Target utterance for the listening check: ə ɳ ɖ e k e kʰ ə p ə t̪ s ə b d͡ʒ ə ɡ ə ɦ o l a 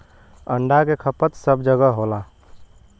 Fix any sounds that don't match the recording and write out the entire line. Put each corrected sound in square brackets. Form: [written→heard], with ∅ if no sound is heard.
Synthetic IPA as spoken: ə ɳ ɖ [e→a] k e kʰ ə p ə t̪ s ə b d͡ʒ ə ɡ ə ɦ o l a